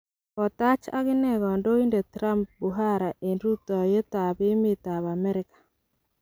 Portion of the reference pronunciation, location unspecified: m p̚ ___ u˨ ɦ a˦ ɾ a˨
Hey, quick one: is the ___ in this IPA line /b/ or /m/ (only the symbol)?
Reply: b